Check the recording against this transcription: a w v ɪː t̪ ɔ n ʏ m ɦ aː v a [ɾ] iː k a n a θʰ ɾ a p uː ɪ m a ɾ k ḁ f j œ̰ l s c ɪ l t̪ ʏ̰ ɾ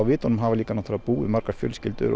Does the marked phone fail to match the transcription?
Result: yes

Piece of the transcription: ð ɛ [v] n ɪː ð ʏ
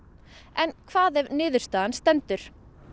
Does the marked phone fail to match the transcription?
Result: no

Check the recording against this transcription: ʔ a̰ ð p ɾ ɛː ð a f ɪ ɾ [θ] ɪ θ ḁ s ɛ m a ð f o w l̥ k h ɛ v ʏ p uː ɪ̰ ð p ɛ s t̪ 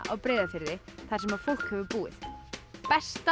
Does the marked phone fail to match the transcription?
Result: yes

